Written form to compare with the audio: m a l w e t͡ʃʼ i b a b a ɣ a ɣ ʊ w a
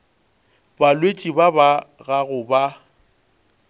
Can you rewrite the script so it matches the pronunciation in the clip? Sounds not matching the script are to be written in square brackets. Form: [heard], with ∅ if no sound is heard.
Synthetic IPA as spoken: [b] a l w e t͡ʃʼ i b a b a ɣ a ɣ ʊ [b] a